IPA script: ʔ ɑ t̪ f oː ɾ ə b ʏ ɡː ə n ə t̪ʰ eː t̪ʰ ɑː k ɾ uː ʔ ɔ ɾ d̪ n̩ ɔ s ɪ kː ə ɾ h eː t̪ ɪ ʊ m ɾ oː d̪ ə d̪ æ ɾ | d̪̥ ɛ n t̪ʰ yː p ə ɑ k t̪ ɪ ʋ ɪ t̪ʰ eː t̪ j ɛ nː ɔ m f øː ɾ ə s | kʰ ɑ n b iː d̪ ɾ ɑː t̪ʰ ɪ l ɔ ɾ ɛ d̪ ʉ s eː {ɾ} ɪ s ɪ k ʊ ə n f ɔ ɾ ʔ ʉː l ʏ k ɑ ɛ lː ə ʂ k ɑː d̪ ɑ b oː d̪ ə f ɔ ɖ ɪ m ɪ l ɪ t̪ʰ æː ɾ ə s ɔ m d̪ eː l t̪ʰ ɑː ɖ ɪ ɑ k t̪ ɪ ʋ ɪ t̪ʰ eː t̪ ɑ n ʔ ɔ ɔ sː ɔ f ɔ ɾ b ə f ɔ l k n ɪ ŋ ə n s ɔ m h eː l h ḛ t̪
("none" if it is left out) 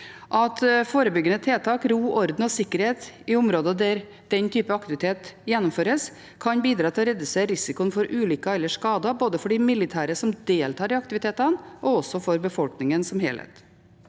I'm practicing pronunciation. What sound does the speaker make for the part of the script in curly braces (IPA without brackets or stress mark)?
ɾ